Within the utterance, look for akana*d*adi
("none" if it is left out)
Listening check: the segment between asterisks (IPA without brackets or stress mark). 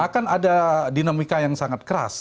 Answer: d